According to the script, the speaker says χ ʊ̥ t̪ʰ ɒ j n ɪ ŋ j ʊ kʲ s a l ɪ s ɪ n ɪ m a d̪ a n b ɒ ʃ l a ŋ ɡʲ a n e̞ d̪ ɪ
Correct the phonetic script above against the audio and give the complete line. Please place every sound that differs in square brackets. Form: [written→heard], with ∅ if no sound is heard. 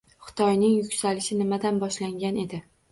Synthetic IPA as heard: χ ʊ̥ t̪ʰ ɒ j n ɪ ŋ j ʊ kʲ s a l ɪ [s→ʃ] ɪ n ɪ m a d̪ a n b ɒ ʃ l a ŋ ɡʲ a n e̞ d̪ ɪ